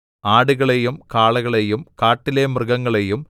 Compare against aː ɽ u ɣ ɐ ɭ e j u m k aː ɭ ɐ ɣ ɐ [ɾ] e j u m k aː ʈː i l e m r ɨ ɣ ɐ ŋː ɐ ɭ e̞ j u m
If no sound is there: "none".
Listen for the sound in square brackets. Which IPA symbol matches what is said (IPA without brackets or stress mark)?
ɭ